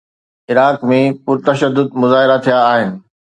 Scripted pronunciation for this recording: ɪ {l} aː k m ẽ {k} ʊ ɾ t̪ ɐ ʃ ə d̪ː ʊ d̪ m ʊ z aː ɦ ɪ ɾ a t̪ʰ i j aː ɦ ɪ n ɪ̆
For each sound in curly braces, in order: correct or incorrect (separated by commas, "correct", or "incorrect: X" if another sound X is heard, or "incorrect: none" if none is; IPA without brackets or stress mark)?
incorrect: ɾ, incorrect: p